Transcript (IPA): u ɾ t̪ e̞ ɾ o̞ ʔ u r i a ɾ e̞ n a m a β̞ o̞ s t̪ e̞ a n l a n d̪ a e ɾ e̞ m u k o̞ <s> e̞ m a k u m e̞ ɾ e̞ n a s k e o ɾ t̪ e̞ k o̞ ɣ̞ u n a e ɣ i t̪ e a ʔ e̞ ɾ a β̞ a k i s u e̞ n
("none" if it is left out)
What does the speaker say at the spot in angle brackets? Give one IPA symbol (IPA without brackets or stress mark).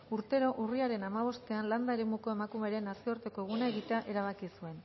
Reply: none